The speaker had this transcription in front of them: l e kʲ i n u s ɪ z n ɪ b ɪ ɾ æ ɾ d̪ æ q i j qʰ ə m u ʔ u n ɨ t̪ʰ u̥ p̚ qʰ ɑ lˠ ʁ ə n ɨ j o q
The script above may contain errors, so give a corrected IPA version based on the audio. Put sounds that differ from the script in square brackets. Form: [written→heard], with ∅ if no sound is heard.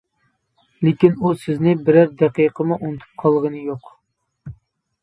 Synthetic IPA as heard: l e kʲ i n u s ɪ z n ɪ b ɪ ɾ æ ɾ d̪ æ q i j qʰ ə m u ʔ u n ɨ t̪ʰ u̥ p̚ qʰ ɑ lˠ ʁ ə n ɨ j o q